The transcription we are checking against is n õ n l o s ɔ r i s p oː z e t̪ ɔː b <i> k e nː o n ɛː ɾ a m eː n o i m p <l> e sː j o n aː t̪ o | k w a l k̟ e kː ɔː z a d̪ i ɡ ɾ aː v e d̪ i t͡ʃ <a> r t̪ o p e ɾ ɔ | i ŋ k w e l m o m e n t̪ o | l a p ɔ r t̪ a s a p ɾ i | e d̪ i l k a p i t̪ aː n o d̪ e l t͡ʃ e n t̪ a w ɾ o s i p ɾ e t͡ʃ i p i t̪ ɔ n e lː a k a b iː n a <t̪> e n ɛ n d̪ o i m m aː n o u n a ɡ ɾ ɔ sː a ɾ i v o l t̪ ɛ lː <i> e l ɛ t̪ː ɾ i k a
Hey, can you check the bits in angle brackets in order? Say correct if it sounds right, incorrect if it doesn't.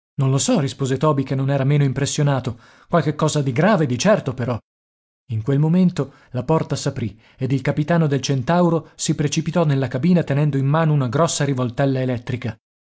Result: correct, incorrect: ɾ, incorrect: ɛ, correct, incorrect: a

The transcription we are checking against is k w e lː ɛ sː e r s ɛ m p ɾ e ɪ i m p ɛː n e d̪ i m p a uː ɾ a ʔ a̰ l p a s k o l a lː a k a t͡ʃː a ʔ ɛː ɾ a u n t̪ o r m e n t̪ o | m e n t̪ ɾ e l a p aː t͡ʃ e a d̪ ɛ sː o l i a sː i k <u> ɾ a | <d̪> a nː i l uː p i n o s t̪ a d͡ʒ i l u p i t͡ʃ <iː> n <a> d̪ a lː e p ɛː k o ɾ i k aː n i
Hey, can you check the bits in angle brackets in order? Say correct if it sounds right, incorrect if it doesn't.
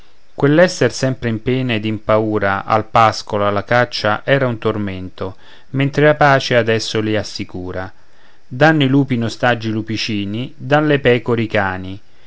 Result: incorrect: uː, correct, correct, incorrect: i

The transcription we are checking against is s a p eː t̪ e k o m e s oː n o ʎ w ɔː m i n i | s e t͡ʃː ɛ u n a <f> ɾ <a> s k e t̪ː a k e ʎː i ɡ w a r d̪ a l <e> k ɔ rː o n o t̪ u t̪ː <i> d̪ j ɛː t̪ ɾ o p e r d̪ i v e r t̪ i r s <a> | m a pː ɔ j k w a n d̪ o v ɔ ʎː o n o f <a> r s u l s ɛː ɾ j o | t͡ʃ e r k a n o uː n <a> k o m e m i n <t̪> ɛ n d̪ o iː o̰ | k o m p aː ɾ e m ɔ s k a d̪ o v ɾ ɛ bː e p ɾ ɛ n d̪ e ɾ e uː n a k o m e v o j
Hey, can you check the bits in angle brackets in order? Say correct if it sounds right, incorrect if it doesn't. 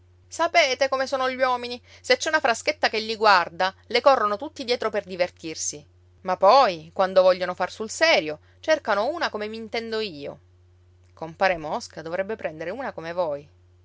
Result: correct, correct, correct, correct, incorrect: i, correct, correct, correct

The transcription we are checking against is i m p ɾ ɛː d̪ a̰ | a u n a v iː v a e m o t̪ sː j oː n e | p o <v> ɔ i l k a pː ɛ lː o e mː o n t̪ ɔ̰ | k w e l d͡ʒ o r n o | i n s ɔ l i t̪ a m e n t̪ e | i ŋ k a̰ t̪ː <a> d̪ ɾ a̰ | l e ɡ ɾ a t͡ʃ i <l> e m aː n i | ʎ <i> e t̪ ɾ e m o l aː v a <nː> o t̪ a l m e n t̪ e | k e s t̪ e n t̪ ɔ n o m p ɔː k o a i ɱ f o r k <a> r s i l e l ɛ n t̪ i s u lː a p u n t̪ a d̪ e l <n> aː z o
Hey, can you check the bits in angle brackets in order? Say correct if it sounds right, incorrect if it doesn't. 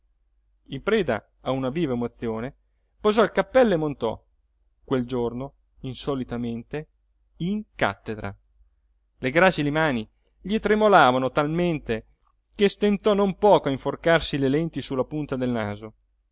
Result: incorrect: z, incorrect: e, correct, correct, incorrect: n, correct, correct

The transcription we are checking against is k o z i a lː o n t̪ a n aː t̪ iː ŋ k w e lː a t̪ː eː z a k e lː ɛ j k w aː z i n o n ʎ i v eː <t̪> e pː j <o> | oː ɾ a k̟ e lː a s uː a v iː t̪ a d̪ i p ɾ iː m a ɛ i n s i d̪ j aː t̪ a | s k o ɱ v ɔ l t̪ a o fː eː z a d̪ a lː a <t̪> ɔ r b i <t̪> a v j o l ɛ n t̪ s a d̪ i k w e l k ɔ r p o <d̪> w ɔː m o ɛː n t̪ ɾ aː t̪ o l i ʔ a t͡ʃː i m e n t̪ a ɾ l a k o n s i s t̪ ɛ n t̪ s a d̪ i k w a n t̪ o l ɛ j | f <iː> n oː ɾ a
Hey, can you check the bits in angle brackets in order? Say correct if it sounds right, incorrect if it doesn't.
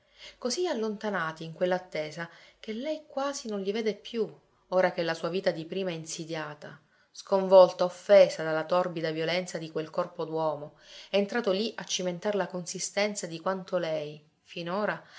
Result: incorrect: d̪, incorrect: u, correct, incorrect: d̪, correct, incorrect: i

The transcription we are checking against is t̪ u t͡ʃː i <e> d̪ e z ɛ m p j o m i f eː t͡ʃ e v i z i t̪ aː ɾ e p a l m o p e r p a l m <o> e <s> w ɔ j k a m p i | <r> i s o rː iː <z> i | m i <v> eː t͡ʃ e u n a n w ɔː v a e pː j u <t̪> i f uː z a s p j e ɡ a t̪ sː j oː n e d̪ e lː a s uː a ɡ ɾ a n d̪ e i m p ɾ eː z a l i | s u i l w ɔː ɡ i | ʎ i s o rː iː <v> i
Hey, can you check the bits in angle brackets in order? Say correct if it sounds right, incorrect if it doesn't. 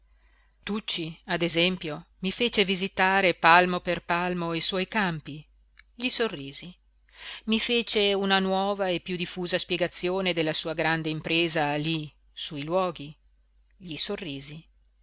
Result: incorrect: a, correct, correct, incorrect: ʎ, correct, incorrect: f, incorrect: d̪, incorrect: z

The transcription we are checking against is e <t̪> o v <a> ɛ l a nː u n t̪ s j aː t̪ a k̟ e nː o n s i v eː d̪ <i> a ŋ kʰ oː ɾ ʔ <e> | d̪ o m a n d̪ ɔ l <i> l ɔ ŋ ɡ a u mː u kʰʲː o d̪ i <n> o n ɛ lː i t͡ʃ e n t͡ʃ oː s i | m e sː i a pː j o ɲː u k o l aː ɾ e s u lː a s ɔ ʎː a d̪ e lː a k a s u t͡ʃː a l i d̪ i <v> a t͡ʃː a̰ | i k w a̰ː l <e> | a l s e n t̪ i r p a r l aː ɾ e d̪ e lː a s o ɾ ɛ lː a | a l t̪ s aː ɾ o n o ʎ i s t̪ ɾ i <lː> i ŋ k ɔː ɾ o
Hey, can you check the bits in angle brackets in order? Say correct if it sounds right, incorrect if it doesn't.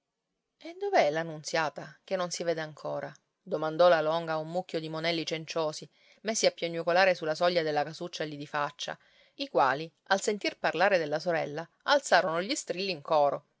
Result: incorrect: d̪, incorrect: e, incorrect: e, incorrect: a, incorrect: a, incorrect: m, incorrect: f, incorrect: i, correct

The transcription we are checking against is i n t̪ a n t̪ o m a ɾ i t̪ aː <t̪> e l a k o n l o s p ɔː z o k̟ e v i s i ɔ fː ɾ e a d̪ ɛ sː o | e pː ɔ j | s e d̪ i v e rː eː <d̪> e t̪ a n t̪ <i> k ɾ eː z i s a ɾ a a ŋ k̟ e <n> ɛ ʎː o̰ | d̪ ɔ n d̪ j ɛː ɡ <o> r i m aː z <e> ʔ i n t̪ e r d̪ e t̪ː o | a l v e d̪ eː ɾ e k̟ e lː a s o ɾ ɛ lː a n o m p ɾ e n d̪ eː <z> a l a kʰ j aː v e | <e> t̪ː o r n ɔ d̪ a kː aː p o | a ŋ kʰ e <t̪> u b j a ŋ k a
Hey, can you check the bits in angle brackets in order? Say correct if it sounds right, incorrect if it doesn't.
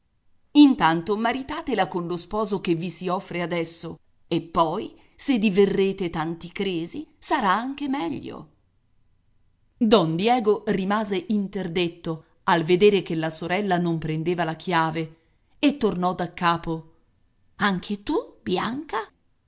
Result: correct, incorrect: t̪, correct, incorrect: m, correct, correct, incorrect: v, correct, correct

